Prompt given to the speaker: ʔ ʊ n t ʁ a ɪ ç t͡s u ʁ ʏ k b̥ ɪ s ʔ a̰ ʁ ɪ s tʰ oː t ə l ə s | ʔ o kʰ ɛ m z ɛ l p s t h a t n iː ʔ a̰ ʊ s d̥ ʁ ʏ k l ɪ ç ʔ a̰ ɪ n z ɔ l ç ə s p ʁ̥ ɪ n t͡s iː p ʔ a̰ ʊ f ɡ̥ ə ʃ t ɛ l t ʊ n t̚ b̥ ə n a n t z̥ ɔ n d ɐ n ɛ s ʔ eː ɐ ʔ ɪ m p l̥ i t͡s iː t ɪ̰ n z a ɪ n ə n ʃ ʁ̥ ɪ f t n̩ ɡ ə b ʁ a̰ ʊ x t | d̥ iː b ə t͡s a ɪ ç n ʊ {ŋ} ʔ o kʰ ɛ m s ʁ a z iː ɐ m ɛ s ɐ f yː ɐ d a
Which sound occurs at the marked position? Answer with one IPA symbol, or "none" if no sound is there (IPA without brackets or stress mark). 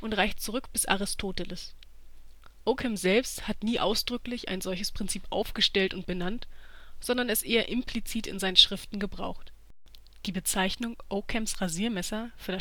ŋ